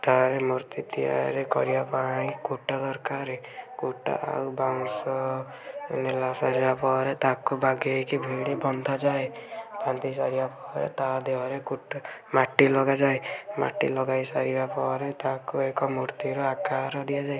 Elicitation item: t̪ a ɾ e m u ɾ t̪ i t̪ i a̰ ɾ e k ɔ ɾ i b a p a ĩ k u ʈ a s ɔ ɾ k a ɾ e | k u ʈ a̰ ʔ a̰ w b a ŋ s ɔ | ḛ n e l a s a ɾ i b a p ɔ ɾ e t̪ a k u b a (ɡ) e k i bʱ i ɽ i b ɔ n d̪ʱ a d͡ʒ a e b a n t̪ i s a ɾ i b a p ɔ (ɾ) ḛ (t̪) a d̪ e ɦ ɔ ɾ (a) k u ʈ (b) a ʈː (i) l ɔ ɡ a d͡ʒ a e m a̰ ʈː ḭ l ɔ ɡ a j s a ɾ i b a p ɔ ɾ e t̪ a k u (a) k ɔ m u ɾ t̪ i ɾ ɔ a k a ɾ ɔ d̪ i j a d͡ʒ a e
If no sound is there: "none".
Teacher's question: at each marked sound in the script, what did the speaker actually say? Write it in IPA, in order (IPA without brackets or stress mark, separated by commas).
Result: ɡ, ɾ, t̪, e, m, i, e